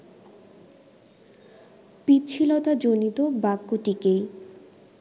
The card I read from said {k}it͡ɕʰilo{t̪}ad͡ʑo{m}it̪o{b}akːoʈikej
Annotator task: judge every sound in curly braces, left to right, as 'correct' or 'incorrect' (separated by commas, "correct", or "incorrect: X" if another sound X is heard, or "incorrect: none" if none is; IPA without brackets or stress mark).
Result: incorrect: p, correct, incorrect: n, correct